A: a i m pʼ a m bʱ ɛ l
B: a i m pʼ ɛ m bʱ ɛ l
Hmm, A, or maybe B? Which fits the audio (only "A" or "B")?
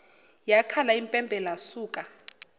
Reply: B